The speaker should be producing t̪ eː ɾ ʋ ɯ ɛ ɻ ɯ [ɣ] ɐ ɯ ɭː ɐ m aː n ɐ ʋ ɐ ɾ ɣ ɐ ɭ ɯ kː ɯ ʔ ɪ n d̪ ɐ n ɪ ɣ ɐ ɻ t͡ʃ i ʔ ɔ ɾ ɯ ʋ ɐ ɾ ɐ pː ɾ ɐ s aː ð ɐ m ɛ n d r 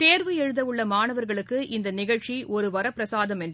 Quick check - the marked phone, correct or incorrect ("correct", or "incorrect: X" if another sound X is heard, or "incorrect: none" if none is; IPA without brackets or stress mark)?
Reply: incorrect: ð